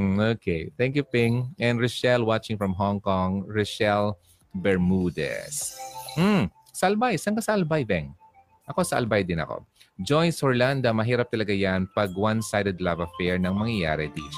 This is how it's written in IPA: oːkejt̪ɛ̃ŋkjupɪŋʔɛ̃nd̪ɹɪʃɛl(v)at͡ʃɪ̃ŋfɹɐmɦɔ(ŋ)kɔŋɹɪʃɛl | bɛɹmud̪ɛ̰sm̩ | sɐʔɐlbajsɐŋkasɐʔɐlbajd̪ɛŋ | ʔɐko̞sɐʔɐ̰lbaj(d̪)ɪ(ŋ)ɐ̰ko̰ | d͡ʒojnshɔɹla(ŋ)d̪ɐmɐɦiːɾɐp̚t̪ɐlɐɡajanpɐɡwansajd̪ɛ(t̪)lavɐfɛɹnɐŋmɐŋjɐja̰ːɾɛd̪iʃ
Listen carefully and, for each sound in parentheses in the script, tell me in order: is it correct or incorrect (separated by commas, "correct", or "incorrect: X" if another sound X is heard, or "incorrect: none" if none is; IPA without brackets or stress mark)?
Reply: incorrect: w, correct, correct, incorrect: n, incorrect: n, incorrect: d̪